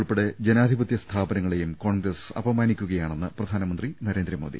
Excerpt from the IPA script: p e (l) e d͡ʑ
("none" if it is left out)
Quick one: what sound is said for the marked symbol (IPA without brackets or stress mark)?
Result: ɽ